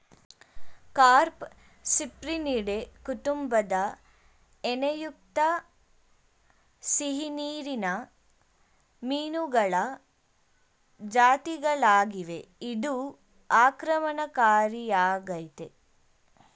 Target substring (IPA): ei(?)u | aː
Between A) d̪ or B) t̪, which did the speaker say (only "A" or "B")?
A